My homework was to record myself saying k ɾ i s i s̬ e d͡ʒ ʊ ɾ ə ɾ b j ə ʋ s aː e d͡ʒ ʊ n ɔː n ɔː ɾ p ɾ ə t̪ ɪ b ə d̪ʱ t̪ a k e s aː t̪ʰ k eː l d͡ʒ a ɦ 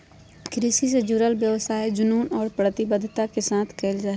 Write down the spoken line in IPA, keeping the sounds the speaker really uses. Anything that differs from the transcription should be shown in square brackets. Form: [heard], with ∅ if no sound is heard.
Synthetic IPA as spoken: k ɾ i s i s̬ e d͡ʒ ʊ ɾ ə [l] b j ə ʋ s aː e d͡ʒ ʊ n [uː] n ɔː ɾ p ɾ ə t̪ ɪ b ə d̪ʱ t̪ a k e s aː t̪ʰ k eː l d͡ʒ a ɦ